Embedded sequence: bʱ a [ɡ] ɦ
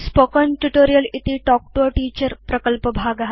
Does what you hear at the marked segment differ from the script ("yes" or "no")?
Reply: no